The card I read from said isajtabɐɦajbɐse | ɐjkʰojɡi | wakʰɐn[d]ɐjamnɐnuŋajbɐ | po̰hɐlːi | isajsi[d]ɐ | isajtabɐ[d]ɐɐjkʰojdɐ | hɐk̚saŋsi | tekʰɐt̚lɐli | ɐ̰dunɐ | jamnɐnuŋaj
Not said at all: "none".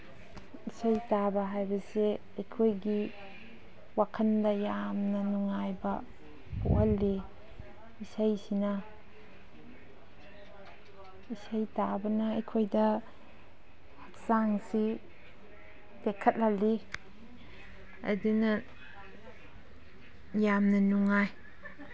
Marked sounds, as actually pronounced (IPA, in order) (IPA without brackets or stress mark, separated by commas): d, n, n